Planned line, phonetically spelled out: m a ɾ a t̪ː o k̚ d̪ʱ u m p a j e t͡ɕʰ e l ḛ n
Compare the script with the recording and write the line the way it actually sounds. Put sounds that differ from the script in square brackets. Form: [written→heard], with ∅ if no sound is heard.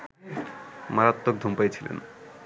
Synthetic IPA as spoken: m a ɾ a t̪ː o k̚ d̪ʱ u m p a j e t͡ɕʰ [e→i] l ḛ n